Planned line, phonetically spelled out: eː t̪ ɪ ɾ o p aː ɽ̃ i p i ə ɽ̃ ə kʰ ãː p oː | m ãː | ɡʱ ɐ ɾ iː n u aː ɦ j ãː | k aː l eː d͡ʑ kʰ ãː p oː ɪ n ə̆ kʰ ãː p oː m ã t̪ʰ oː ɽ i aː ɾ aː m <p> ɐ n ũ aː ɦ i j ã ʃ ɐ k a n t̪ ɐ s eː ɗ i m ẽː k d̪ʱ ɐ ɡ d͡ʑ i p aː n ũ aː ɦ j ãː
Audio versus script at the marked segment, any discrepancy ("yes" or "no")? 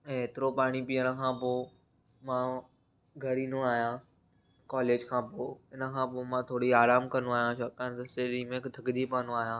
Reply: yes